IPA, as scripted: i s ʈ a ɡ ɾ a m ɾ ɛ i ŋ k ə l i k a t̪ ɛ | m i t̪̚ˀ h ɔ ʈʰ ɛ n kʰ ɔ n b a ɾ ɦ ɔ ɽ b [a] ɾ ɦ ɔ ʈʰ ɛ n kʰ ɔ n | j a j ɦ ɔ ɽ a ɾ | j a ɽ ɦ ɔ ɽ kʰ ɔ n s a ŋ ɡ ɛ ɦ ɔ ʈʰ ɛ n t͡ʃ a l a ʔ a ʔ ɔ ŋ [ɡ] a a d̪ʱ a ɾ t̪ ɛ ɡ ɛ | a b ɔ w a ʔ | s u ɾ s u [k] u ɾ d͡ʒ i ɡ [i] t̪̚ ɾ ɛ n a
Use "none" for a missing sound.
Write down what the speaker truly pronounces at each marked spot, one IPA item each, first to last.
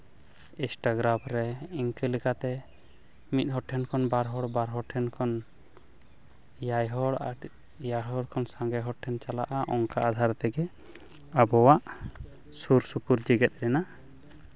a, k, p, ɛ

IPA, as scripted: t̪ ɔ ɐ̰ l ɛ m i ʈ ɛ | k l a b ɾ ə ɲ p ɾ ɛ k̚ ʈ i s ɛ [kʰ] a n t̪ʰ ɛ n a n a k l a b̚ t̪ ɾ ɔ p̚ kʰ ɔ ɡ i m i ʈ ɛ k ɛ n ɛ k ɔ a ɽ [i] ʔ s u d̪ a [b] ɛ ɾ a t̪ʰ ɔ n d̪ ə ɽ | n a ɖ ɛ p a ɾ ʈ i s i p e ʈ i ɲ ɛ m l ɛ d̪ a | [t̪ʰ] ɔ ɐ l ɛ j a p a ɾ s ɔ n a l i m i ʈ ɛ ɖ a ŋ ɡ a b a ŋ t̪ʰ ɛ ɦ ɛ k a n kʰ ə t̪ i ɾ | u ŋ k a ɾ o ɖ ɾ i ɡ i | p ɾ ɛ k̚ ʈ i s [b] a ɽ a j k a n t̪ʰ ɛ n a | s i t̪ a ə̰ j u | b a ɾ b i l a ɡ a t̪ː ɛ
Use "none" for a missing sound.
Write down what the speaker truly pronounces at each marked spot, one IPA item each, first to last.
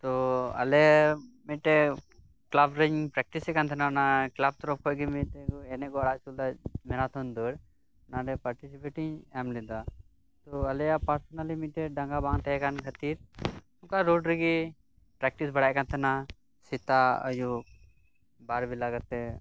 k, a, m, t̪, b

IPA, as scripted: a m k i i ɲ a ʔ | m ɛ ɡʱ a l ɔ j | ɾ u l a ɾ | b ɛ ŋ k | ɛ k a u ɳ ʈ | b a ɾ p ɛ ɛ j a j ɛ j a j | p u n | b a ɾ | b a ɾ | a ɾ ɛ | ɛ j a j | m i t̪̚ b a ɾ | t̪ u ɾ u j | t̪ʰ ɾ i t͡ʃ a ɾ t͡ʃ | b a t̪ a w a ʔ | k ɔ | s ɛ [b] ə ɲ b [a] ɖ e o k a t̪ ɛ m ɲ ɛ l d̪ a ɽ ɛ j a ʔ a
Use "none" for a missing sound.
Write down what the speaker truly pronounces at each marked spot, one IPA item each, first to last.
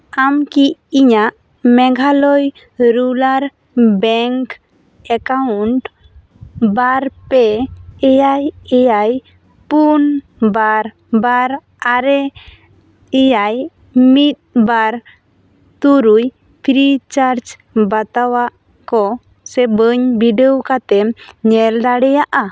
b, i

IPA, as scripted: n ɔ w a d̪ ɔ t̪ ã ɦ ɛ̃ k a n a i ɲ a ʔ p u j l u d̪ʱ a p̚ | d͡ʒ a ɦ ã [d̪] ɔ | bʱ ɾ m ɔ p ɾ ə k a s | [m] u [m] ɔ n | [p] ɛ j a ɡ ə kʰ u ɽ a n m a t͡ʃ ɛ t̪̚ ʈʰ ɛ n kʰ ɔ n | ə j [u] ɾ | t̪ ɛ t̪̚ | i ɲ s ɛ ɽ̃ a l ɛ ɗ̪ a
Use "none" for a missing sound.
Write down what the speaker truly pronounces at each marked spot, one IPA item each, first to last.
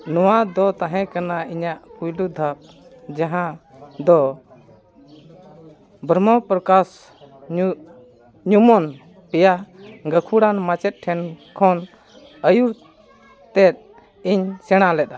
d̪, ɲ, m, p, u

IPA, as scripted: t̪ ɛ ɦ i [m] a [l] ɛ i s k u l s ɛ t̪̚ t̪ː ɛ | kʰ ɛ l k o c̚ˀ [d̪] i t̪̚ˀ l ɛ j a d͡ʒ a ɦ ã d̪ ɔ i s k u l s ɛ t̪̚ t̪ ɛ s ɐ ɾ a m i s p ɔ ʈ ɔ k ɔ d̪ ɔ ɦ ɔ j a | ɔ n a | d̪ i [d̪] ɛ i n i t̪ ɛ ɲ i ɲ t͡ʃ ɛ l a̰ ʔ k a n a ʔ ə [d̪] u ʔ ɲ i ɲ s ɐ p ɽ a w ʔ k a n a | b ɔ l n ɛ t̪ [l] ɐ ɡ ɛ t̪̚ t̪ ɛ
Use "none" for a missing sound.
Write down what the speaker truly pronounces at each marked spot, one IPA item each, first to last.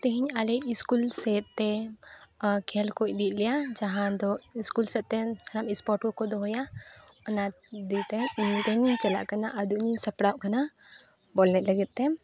ɲ, l, d̪, t̪, d̪, l

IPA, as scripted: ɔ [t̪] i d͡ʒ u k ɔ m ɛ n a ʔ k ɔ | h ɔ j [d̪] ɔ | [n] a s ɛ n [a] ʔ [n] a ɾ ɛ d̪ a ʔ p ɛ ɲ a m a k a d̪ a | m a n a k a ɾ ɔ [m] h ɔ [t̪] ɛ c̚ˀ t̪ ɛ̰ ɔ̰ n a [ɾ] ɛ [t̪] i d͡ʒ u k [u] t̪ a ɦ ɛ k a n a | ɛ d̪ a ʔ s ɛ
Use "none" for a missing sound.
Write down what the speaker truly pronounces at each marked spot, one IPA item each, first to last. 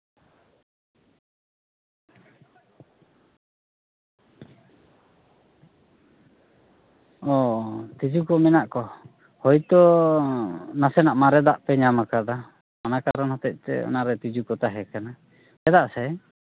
t̪, t̪, n, a, m, n, t̪, ɾ, t̪, ɔ

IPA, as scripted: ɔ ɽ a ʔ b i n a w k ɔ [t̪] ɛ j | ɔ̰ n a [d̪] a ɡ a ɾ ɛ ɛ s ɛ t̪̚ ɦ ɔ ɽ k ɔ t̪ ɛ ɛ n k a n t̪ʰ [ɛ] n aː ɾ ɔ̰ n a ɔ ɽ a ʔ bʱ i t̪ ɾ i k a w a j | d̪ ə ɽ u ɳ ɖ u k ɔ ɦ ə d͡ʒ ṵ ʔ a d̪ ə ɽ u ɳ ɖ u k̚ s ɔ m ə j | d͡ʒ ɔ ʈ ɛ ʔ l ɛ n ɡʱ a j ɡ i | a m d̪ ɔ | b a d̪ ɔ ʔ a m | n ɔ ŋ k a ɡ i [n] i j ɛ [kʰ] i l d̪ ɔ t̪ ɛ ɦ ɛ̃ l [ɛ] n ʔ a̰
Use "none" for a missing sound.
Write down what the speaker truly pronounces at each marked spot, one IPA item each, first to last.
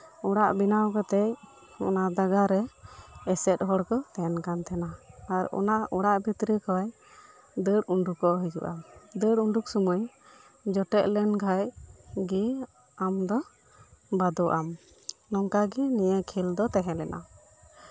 t̪, d̪, ɛ, n, kʰ, ɛ

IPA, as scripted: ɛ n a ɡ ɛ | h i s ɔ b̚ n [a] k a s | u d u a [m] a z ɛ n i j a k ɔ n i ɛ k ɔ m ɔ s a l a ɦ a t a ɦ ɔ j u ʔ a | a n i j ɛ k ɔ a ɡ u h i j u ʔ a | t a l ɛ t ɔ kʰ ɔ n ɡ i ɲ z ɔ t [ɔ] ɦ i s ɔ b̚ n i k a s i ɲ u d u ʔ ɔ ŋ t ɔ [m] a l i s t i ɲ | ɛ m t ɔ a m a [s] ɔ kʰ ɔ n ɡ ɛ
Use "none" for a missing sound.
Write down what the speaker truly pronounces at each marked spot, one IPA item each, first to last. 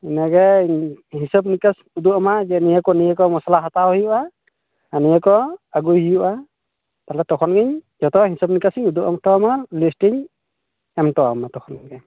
i, m, ɔ, m, t

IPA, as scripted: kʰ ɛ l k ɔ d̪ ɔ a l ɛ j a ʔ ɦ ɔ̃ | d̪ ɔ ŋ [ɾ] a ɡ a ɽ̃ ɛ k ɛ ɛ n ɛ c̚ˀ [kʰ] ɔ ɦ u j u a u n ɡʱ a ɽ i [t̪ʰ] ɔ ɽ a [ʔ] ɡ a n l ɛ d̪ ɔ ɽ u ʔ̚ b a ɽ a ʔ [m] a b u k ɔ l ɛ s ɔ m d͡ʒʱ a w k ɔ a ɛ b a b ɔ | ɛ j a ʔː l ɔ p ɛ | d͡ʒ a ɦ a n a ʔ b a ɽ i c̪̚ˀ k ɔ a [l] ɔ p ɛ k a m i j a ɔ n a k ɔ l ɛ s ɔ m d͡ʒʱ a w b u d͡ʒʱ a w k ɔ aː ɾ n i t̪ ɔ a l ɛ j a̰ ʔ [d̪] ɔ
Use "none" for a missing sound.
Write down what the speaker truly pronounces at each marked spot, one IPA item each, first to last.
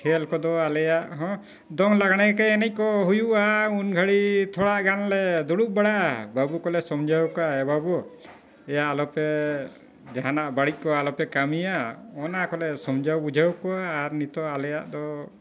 l, k, t̪ʰ, ʔ, b, l, d̪

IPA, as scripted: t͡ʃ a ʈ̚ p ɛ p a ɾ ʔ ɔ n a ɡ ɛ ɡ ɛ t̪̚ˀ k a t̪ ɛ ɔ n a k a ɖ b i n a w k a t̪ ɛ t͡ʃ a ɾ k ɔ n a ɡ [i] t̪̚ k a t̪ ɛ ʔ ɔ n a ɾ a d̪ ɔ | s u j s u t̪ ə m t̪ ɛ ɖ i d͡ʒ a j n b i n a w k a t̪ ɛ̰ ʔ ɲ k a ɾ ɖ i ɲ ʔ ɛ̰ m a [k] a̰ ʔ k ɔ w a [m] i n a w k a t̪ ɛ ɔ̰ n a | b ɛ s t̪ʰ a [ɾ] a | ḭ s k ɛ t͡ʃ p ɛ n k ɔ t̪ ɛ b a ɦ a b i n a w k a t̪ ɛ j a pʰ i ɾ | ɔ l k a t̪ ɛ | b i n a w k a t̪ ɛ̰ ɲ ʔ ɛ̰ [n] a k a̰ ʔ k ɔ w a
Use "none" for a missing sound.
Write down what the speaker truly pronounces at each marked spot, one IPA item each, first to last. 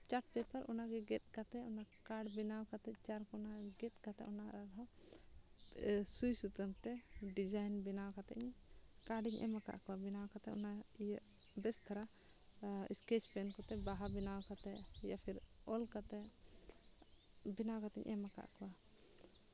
ɛ, k, b, ɾ, m

